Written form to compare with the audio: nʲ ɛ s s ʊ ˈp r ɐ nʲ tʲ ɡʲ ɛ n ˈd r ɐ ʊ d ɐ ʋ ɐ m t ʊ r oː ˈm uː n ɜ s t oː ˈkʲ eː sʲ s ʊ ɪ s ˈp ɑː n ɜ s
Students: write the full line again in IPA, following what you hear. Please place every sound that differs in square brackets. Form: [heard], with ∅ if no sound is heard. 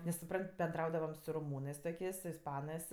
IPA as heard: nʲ ɛ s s ʊ ˈp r ɐ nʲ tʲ [bʲ] ɛ n ˈd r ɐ ʊ d ɐ ʋ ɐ m [s] ʊ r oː ˈm uː n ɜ s t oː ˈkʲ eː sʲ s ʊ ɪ s ˈp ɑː n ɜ s

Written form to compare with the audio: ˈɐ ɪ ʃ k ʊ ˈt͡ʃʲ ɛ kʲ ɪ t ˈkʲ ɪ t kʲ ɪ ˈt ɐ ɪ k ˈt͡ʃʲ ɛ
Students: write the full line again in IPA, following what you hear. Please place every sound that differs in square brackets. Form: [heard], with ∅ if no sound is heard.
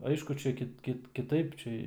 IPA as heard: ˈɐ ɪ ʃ k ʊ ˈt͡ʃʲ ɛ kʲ ɪ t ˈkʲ ɪ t kʲ ɪ ˈt ɐ ɪ [p] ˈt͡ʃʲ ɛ

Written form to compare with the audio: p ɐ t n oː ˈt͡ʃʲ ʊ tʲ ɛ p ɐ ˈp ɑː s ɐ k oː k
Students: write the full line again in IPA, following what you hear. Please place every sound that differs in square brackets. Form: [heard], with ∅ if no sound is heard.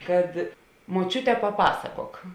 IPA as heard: [k] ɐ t [m] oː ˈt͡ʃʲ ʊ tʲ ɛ p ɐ ˈp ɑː s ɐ k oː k

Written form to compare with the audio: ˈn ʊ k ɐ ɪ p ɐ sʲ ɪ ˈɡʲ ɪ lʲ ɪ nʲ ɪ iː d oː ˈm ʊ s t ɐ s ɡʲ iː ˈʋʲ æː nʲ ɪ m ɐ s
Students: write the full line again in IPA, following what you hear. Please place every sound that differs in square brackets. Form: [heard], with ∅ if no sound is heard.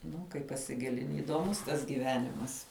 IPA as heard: ˈn ʊ k ɐ ɪ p ɐ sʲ ɪ ˈɡʲ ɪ lʲ ɪ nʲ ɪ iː d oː ˈm ʊ s t ɐ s ɡʲ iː ˈʋʲ æː nʲ ɪ m ɐ s

